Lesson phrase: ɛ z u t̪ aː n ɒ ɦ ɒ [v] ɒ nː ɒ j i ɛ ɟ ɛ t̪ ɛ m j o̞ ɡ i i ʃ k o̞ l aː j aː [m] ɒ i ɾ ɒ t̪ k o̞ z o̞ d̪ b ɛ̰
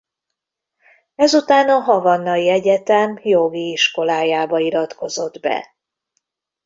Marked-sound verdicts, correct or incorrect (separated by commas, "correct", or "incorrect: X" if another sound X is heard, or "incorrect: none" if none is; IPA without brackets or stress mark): correct, incorrect: b